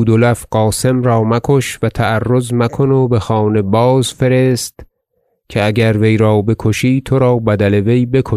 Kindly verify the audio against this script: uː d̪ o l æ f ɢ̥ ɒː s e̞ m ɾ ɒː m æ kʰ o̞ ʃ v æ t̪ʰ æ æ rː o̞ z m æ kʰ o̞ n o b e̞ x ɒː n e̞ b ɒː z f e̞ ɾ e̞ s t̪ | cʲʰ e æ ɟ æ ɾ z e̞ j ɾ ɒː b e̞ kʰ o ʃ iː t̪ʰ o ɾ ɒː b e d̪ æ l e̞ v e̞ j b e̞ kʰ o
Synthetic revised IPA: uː d̪ o l æ f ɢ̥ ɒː s e̞ m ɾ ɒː m æ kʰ o̞ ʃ v æ t̪ʰ æ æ rː o̞ z m æ kʰ o̞ n o b e̞ x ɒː n e̞ b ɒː z f e̞ ɾ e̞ s t̪ | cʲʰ e æ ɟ æ ɾ v e̞ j ɾ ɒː b e̞ kʰ o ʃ iː t̪ʰ o ɾ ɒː b æ d̪ æ l e̞ v e̞ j b e̞ kʰ o